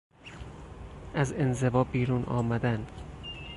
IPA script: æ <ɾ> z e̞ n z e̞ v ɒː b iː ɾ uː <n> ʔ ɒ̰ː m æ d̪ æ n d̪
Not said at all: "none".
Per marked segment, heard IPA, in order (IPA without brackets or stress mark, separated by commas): none, n